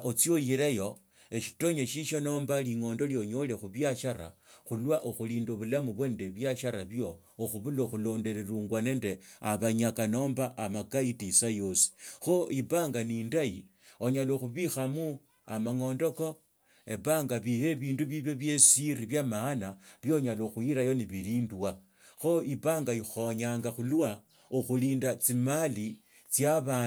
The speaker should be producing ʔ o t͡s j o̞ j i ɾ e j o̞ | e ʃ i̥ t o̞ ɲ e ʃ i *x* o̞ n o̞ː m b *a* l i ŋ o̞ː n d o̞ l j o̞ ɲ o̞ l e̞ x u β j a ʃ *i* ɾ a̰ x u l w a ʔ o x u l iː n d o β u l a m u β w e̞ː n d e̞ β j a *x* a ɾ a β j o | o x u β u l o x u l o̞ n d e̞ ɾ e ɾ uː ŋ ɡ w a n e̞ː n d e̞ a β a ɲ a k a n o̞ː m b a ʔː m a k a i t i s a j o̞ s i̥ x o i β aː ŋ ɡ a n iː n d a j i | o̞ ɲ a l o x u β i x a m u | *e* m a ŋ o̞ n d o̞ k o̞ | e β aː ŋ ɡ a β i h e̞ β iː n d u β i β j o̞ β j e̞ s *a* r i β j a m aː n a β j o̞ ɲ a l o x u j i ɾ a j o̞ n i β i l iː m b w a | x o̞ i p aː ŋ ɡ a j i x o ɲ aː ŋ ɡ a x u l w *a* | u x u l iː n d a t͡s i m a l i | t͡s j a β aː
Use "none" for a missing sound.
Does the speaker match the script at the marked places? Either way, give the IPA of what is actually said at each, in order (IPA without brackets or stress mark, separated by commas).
ʃ, a, a, ʃ, a, i, a